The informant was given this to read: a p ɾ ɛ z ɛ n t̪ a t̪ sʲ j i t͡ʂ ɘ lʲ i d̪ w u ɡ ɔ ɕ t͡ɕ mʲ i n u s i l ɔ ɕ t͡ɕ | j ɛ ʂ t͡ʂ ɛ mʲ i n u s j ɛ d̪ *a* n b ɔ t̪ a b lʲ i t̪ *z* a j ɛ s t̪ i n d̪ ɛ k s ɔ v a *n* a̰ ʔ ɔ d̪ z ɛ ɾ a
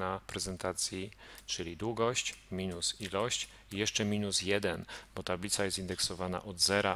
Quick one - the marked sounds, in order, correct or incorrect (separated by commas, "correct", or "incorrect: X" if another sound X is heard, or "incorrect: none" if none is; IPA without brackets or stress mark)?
incorrect: ɛ, incorrect: s, correct